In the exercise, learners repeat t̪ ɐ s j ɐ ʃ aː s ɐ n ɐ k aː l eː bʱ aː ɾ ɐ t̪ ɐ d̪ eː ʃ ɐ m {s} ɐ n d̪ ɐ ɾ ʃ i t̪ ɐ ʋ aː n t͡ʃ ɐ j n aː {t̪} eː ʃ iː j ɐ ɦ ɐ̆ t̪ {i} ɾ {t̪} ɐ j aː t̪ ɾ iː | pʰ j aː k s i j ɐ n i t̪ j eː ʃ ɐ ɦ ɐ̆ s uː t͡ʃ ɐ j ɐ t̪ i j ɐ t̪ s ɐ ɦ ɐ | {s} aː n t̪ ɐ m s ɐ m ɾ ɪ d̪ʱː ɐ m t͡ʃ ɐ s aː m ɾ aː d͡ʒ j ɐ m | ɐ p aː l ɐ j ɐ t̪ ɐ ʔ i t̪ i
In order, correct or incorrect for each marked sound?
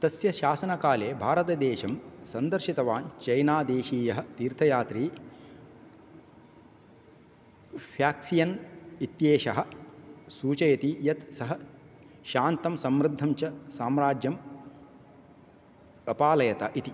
correct, incorrect: d̪, incorrect: iː, incorrect: t̪ʰ, incorrect: ʃ

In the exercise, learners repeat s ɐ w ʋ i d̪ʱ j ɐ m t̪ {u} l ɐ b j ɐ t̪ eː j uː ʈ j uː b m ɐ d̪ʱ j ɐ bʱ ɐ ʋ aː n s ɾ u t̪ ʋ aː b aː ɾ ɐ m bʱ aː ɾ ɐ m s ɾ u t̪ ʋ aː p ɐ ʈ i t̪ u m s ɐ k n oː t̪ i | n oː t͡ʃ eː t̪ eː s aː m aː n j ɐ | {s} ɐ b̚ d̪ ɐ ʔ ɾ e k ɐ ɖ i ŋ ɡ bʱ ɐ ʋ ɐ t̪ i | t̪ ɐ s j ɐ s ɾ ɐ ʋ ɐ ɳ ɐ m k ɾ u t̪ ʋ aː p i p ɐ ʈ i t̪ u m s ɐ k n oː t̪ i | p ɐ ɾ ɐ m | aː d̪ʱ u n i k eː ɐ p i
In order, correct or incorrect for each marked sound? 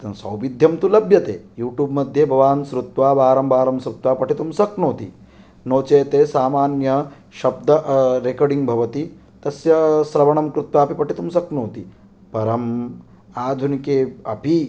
correct, incorrect: ʃ

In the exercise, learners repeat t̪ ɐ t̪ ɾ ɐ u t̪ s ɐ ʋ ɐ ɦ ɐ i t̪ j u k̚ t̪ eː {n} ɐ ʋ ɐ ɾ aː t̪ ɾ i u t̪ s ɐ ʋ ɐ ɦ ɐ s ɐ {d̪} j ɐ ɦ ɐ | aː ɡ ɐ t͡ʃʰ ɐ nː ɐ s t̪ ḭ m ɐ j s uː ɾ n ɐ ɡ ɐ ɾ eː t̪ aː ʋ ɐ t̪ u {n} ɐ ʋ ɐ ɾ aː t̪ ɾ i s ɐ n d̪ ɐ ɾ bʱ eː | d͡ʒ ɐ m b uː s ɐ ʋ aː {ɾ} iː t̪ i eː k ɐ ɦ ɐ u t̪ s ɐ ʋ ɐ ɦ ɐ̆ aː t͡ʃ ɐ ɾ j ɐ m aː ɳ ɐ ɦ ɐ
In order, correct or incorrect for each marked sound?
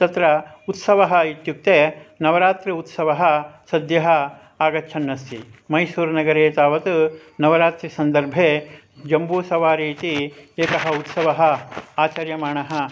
correct, correct, correct, correct

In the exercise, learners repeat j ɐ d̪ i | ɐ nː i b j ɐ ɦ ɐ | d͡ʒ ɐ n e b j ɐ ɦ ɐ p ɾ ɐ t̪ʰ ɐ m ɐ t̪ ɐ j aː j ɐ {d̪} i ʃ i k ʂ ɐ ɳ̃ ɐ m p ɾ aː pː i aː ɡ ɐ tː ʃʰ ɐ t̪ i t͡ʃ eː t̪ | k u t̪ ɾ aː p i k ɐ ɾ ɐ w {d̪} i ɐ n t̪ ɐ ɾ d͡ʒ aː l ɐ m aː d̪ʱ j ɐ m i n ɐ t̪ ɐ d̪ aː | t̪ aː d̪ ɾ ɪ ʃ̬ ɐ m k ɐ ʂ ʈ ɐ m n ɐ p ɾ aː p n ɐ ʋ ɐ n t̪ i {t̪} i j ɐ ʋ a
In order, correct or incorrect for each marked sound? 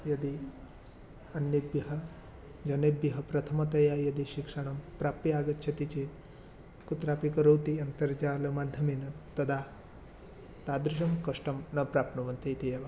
correct, incorrect: t̪, correct

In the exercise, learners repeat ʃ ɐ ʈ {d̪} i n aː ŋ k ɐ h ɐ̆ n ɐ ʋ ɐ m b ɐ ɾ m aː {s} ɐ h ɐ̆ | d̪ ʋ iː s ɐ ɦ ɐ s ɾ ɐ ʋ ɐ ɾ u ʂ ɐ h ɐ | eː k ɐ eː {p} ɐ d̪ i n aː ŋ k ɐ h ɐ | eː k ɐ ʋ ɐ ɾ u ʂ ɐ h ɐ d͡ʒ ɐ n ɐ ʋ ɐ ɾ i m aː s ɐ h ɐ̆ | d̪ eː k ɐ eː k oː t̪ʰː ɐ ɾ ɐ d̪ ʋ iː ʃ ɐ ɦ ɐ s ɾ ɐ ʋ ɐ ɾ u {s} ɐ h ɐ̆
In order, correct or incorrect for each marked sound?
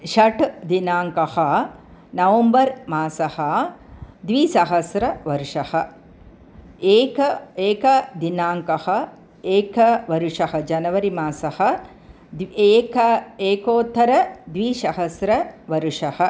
correct, correct, incorrect: k, incorrect: ʂ

